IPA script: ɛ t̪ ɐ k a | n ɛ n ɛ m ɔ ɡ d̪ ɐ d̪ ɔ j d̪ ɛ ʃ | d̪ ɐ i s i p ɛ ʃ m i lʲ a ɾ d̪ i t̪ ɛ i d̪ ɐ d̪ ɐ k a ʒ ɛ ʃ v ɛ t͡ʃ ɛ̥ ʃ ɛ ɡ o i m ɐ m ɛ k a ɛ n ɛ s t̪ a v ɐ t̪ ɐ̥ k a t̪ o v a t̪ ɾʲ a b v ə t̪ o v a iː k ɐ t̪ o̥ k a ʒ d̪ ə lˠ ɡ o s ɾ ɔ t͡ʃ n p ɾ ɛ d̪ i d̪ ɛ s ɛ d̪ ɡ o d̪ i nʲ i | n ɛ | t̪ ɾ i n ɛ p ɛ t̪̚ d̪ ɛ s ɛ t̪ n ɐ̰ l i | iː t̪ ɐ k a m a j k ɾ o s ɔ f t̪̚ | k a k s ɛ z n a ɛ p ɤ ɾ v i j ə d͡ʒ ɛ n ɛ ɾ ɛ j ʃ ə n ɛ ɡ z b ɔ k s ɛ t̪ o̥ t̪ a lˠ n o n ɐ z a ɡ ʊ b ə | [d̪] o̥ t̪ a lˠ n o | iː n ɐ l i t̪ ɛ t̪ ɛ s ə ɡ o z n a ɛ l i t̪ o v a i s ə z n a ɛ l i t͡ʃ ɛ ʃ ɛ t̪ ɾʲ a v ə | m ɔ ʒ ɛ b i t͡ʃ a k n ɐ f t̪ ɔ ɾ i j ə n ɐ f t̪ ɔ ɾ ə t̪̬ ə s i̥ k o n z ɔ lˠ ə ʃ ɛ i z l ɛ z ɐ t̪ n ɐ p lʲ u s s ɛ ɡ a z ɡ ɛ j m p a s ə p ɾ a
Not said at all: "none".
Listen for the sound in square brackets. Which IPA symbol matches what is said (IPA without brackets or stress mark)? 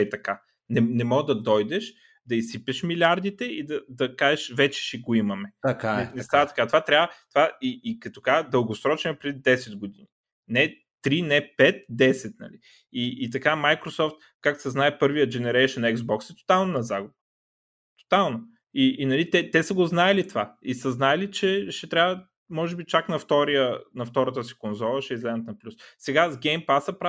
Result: t̪